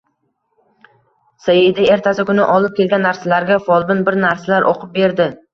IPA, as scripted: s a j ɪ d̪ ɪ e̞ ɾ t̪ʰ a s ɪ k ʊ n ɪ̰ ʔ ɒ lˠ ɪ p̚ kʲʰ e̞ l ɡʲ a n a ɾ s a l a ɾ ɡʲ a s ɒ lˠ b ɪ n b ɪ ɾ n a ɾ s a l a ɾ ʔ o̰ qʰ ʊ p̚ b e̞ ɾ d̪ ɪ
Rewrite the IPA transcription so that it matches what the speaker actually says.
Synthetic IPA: s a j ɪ d̪ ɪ e̞ ɾ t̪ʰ a s ɪ k ʊ n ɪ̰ ʔ ɒ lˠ ɪ p̚ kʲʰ e̞ l ɡʲ a nː a ɾ s a l a ɾ ɡʲ a f ɒ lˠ b ɪ n b ɪ ɾ n a ɾ s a l a ɾ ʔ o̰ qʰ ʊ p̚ b e̞ ɾ d̪ ɪ